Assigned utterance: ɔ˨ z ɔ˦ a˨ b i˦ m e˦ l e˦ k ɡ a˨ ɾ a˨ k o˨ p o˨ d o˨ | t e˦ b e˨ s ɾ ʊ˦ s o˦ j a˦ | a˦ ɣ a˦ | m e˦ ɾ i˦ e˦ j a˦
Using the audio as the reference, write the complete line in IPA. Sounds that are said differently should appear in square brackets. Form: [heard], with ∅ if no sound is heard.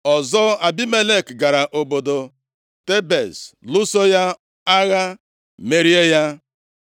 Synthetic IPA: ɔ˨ z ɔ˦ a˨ b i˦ m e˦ l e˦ k ɡ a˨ ɾ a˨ [ʔ] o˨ [b] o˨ d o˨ | t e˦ b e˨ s [l] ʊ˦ s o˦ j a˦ | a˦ ɣ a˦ | m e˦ ɾ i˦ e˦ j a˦

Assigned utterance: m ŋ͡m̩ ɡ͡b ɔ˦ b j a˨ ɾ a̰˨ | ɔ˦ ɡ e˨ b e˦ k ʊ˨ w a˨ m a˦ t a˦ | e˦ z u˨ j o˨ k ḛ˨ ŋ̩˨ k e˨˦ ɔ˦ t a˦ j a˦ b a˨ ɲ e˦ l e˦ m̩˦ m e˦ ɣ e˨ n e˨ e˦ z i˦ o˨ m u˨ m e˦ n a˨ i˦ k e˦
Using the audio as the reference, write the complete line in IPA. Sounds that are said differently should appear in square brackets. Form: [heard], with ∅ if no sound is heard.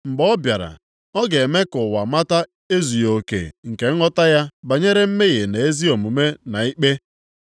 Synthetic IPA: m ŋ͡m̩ ɡ͡b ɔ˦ b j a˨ ɾ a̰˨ | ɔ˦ ɡ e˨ [m] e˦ k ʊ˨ w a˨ m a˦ t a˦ | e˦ z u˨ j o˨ k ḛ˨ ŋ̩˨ k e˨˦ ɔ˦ t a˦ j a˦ b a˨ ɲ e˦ [ɾ] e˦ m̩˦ m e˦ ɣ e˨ n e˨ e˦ z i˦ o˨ m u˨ m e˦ n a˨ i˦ [k͡p] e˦

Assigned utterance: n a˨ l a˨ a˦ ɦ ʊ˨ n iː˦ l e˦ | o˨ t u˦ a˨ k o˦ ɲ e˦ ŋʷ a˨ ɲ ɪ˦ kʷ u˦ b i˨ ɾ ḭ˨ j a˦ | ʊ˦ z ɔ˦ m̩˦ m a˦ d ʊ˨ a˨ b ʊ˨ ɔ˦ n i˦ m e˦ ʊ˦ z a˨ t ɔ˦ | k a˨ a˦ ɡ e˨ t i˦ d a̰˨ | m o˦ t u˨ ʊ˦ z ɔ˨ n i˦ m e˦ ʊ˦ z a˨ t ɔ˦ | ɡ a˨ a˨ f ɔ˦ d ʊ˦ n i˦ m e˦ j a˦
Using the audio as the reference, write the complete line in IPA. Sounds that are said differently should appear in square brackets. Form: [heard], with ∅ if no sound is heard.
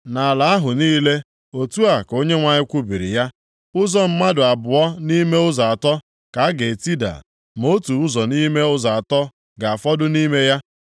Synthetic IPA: n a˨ l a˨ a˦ ɦ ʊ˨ n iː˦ l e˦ | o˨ t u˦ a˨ k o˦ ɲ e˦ ŋʷ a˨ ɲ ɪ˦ kʷ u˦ b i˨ ɾ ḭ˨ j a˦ | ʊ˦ z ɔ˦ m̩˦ m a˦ d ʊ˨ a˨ b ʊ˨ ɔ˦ n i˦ m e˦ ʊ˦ z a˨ t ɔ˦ | k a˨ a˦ ɡ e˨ t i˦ d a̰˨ | m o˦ t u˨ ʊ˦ z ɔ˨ n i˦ m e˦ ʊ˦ z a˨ t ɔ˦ | ɡ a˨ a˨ f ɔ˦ d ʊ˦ n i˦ m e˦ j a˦

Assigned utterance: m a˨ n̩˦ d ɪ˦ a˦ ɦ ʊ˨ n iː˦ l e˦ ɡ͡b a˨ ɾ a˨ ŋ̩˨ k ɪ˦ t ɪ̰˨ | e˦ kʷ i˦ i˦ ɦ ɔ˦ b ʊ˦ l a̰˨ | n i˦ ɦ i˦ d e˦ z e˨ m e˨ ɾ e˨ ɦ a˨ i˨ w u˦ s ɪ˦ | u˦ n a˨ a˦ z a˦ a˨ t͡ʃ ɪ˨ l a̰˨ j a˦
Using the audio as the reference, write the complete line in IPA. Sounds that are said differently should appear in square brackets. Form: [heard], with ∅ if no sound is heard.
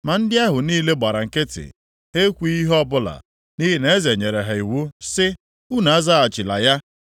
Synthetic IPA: m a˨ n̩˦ d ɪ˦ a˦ ɦ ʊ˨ n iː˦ l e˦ ɡ͡b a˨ ɾ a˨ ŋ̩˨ k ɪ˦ t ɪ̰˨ | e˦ kʷ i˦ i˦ ɦ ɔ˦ b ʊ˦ l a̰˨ | n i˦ ɦ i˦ [n] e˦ z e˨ [ɲ] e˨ ɾ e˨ ɦ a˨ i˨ w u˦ s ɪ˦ | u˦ n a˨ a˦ z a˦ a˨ t͡ʃ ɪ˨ l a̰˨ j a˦

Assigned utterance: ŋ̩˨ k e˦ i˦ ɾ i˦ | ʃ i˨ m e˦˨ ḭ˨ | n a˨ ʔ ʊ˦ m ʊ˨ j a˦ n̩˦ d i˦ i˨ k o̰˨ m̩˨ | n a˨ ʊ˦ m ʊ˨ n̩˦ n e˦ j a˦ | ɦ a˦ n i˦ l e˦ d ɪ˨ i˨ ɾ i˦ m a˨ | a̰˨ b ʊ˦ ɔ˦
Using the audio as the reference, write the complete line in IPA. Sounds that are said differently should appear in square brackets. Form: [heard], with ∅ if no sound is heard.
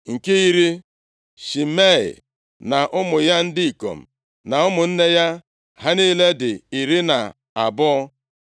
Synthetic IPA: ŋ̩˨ k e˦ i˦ ɾ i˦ | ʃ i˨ m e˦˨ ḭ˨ | n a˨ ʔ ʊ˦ m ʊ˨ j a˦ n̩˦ d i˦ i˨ k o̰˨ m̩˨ | n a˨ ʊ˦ m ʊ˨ n̩˦ n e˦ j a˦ | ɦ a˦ n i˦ l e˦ d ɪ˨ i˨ ɾ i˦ [n] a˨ | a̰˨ b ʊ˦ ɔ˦

